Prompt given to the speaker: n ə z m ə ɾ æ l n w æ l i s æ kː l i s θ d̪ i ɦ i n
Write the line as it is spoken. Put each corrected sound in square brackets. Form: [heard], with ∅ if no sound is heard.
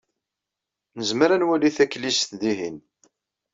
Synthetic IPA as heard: n ə z m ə ɾ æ [∅] n w æ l i [θ] æ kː l i s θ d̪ i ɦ i n